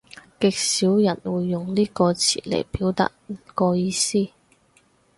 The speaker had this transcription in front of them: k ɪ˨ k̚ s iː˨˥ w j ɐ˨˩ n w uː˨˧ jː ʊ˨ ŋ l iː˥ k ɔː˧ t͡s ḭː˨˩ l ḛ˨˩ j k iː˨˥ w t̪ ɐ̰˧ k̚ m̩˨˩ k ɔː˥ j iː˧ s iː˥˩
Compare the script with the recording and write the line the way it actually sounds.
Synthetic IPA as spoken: k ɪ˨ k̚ s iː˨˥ w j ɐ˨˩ n w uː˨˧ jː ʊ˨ ŋ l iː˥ k ɔː˧ t͡sʰ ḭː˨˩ l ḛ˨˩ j p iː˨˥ w t̪ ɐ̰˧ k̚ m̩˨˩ k ɔː˧ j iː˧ s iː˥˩

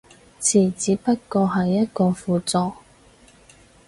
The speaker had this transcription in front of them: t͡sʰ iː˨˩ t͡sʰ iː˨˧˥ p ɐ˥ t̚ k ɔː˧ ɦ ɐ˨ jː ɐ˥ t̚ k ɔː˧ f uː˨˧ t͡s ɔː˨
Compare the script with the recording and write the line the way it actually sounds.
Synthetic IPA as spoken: t͡sʰ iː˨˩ t͡s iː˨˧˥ p ɐ˥ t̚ k ɔː˧ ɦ ɐ˨ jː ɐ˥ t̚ k ɔː˧ f uː˨˧ t͡s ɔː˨

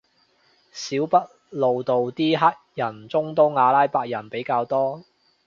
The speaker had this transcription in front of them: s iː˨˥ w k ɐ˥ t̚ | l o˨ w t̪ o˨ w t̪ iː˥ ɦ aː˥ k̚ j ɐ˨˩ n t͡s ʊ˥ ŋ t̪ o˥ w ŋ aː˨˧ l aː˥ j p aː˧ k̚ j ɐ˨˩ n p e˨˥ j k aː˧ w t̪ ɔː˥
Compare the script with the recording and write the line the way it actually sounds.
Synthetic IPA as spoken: s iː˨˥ w p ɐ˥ t̚ | l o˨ w t̪ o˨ w t̪ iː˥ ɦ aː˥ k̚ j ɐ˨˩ n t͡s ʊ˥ ŋ t̪ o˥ w ŋ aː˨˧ l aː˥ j p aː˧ k̚ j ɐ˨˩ n p e˨˥ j k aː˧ w t̪ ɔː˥

